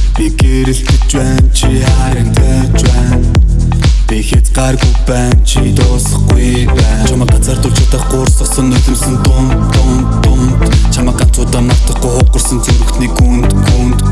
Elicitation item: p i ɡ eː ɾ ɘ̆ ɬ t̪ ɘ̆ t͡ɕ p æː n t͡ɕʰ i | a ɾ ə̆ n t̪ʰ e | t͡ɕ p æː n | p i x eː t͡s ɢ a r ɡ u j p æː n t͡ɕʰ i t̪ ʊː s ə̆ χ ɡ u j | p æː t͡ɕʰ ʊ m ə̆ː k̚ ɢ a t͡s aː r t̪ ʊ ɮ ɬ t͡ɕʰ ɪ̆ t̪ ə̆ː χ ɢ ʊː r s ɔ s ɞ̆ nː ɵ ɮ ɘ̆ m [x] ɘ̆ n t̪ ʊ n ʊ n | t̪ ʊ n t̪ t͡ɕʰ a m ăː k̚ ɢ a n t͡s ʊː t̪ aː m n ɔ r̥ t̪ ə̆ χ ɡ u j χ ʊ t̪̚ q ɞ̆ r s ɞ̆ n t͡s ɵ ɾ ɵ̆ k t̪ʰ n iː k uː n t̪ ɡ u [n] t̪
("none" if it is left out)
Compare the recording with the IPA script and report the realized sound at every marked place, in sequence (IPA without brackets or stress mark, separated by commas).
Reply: s, n